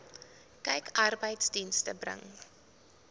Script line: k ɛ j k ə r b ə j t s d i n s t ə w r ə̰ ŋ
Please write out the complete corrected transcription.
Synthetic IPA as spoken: k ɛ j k ɐ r b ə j t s d i n s t ə b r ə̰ ŋ